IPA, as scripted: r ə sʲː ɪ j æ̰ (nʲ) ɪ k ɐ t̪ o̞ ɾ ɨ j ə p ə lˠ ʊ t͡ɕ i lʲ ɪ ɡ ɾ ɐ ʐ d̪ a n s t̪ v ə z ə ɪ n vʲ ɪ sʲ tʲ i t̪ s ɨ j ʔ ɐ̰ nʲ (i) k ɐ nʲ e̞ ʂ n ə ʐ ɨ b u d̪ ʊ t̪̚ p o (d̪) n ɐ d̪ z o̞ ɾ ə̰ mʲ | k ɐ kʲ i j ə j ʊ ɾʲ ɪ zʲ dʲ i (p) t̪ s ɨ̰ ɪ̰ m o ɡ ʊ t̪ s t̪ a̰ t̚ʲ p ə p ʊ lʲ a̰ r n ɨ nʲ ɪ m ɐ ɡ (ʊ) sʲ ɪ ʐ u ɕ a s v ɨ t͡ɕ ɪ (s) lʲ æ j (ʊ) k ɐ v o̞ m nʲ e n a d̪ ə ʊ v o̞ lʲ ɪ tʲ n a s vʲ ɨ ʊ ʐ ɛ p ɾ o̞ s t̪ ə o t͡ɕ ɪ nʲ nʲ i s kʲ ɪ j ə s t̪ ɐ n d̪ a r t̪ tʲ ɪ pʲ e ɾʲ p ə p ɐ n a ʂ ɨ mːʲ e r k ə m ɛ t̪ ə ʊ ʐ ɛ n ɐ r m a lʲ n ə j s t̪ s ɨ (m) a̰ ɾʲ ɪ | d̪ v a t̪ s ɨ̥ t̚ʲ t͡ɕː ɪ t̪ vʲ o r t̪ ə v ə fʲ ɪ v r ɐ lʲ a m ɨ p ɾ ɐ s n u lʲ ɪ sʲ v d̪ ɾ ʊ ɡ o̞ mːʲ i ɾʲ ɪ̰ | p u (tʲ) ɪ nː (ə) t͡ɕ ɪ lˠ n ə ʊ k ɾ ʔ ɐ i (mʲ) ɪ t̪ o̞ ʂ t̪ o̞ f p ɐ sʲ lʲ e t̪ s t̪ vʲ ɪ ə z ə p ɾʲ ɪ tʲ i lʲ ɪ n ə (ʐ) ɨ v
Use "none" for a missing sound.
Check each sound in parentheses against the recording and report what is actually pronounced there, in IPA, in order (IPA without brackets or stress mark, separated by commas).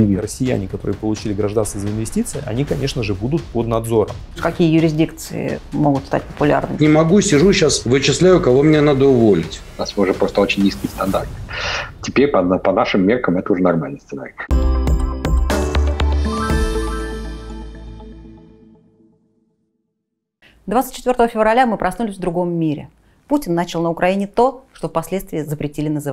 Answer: nʲ, i, d̪, k, u, s, ʊ, n, tʲ, a, nʲ, z